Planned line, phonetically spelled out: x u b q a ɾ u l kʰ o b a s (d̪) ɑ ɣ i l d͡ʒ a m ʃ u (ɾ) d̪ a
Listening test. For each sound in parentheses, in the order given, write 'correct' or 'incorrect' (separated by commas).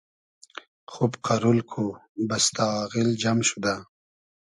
incorrect, incorrect